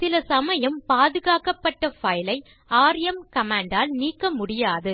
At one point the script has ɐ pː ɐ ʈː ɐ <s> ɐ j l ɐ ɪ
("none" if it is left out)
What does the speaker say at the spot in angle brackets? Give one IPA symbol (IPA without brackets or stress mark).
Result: f